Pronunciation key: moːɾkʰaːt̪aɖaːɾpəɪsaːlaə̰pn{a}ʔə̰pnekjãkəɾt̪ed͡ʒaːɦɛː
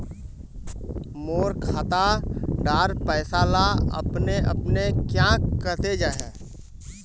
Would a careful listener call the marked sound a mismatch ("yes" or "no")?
yes